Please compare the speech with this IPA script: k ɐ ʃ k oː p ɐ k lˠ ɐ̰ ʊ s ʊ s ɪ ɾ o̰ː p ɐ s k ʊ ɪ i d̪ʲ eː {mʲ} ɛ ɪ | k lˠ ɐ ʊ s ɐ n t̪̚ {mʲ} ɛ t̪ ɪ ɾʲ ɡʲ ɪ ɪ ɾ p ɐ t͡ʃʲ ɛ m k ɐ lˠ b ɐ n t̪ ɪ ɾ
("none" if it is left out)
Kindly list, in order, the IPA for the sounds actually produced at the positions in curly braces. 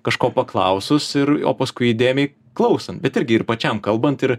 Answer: mʲ, bʲ

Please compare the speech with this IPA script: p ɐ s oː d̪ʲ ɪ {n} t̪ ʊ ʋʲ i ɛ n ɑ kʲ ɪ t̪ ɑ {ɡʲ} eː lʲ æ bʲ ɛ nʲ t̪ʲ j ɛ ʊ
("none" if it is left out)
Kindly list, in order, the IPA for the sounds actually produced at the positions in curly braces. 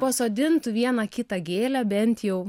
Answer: n, ɡʲ

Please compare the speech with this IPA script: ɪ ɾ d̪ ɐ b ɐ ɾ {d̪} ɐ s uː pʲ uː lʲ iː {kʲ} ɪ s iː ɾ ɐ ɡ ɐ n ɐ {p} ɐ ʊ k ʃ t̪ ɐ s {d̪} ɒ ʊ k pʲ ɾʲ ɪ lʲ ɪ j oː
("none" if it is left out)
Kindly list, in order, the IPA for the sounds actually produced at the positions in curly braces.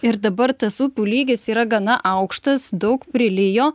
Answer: t̪, ɡʲ, ʔ, d̪

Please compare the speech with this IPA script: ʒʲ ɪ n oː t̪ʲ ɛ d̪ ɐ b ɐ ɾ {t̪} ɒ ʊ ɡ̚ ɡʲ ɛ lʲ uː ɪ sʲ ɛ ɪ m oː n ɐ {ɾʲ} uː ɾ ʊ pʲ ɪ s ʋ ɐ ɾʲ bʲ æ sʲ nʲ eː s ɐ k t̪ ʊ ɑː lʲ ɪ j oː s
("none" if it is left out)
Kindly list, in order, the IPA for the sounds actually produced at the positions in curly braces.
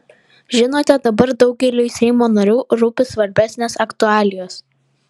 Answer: d̪, ɾʲ

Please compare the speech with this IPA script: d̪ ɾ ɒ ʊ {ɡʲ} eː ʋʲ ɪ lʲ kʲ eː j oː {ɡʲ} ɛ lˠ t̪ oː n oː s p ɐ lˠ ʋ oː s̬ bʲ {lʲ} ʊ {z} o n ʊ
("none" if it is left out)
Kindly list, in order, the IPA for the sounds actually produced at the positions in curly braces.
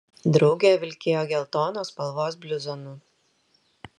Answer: ɡʲ, ɡʲ, lʲ, z

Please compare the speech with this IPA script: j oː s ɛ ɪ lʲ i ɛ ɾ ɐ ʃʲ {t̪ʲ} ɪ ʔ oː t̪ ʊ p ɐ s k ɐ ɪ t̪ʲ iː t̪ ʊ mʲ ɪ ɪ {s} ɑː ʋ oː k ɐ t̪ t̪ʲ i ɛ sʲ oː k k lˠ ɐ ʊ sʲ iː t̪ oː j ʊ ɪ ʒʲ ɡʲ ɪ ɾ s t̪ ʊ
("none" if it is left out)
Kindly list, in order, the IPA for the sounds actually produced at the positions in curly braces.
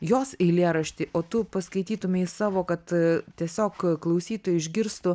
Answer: t̪ʲ, s

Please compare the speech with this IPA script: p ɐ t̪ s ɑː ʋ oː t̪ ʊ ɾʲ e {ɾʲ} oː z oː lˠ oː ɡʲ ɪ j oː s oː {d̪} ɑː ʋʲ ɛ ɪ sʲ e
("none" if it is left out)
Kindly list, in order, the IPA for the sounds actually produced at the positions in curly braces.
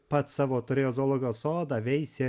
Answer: none, d̪

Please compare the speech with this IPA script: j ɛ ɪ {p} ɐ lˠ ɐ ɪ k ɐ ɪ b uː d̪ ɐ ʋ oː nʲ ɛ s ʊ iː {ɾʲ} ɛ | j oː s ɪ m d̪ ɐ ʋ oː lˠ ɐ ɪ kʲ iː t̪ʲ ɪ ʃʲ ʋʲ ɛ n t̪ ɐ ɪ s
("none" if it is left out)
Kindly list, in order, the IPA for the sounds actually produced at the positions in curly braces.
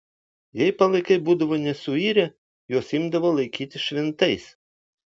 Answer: p, ɾʲ

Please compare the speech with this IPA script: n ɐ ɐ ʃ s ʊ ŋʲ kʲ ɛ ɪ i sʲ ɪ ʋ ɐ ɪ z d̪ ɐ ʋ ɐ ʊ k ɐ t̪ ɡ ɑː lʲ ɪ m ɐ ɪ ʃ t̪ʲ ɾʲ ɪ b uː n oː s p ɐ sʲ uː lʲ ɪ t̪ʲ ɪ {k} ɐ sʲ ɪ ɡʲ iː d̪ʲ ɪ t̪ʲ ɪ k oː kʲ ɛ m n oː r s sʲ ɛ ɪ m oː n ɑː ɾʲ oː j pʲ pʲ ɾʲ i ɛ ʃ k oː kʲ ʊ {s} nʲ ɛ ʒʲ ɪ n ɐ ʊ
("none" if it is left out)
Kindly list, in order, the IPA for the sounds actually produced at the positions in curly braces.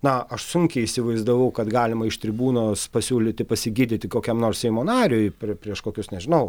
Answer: p, s

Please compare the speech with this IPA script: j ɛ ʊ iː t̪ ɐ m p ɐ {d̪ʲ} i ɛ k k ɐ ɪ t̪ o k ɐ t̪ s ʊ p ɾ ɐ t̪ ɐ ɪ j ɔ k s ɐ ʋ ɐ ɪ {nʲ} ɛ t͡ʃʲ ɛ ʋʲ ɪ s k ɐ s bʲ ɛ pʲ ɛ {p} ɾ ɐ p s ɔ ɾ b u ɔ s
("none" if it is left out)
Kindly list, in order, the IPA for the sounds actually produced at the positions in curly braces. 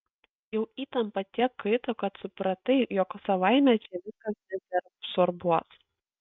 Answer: t̪ʲ, mʲ, none

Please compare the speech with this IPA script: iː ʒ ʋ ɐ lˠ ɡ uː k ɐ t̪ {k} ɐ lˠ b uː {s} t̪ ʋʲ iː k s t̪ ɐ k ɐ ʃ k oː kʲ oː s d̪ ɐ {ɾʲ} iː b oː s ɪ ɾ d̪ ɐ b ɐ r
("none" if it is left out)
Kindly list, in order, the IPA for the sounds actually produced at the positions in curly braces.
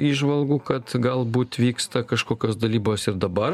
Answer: ɡ, none, lʲ

